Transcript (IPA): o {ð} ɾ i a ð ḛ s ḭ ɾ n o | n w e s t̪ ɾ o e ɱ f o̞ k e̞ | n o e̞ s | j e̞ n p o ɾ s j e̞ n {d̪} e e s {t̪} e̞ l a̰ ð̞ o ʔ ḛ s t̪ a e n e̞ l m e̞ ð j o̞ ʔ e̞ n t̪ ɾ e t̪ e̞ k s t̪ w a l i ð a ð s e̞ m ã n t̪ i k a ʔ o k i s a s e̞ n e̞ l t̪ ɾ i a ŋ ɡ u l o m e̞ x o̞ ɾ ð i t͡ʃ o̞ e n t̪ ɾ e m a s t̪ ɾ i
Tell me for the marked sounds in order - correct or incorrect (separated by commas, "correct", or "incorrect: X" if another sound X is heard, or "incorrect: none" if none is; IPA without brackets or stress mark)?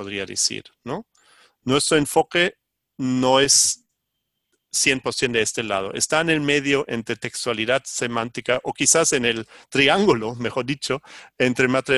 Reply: correct, correct, correct